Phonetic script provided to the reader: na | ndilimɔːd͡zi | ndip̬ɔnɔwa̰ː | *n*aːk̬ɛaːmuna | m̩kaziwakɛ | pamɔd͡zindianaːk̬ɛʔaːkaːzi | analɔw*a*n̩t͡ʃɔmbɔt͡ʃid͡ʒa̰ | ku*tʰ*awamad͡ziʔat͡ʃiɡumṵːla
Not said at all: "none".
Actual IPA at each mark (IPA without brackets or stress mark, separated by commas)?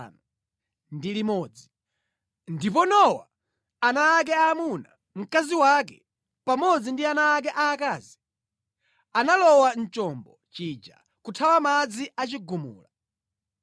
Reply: n, a, tʰ